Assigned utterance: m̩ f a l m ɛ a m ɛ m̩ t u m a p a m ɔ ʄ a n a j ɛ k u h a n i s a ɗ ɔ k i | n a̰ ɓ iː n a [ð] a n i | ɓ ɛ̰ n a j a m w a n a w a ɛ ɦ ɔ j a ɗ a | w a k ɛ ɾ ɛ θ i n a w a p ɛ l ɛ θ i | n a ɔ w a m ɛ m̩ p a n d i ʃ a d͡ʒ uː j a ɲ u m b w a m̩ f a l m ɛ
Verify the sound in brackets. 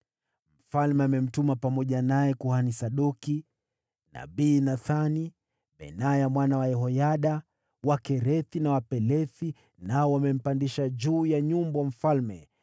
incorrect: θ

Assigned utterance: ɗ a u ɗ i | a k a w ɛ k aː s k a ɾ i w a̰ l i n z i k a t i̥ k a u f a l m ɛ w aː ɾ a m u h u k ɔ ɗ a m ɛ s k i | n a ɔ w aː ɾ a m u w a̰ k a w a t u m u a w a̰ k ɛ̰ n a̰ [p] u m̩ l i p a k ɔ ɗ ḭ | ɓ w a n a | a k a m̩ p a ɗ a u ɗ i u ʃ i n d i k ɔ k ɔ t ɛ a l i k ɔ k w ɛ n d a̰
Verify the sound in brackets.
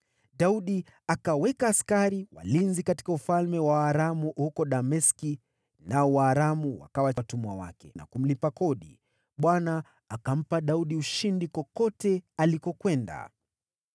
incorrect: k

